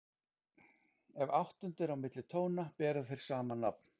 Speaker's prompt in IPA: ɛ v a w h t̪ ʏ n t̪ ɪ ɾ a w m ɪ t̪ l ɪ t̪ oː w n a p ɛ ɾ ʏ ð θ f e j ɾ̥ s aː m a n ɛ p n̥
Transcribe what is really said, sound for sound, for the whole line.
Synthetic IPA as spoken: ɛ v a w h t̪ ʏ n t̪ ɪ ɾ a w m ɪ t̪ l ɪ t̪ʰ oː w n a p ɛː ɾ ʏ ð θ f e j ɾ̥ s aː m a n a p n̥

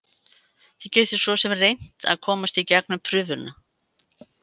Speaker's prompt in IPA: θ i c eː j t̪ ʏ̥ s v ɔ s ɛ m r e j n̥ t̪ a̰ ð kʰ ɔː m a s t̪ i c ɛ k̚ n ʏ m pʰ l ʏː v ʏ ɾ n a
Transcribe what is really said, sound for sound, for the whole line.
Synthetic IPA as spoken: θ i c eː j t̪ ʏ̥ s v ɔ s ɛ m r e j n̥ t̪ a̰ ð kʰ ɔː m a s t̪ i c ɛ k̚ n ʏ m pʰ ɾ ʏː v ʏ ɾ n a

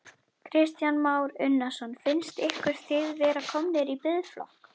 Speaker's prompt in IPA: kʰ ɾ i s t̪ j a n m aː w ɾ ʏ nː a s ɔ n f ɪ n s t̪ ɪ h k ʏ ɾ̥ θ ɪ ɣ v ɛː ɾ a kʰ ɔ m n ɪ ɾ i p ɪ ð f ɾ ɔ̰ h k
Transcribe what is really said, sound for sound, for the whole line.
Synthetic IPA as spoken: kʰ ɾ ɪ s t̪ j a n m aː w ɾ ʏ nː a s ɔ n f ɪ n s t̪ ɪ h k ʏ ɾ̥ θ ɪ ð v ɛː ɾ a kʰ ɔ m n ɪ ɾ i p ɪ ð f l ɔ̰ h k

